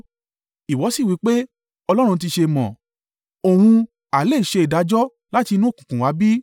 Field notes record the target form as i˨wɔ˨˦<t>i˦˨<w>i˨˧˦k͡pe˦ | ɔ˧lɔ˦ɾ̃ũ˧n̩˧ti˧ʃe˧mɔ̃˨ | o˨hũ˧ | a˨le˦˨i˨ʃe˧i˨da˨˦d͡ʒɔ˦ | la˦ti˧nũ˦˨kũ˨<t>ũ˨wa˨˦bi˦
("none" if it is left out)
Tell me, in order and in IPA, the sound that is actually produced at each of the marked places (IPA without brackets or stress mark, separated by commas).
s, w, k